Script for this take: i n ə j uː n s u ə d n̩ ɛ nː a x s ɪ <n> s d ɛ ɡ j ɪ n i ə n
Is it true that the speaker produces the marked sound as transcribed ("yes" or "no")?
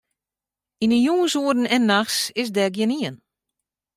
no